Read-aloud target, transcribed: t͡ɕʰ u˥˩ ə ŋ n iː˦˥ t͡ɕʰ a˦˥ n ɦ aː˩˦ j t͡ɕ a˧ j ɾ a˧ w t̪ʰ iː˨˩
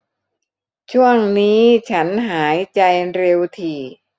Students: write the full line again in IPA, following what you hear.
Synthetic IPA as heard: t͡ɕʰ u˥˩ ə ŋ n iː˦˥ t͡ɕʰ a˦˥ n ɦ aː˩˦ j t͡ɕ a˧ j ɾ e˧ w t̪ʰ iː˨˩